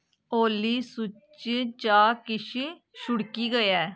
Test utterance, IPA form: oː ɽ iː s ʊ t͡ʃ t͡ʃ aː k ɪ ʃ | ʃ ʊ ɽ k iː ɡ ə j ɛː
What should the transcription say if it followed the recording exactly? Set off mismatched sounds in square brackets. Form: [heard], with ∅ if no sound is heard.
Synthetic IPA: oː [l] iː s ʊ t͡ʃ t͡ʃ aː k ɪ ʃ | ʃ ʊ ɽ k iː ɡ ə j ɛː